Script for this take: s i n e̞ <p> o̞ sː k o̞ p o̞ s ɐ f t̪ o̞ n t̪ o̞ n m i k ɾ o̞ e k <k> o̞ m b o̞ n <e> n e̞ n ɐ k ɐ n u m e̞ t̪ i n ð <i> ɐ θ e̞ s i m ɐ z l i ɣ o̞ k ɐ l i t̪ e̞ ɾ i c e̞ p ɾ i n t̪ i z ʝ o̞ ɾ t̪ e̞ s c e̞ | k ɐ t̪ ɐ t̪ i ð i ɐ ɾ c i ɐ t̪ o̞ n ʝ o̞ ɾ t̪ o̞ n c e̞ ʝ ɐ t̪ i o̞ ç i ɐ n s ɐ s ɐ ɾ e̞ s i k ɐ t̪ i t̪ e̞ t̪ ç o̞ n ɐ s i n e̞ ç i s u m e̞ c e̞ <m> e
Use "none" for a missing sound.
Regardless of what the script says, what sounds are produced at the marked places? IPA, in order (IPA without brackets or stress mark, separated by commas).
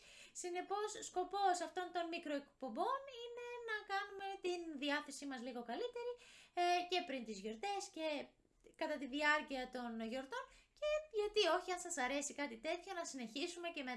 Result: p, p, i, i, m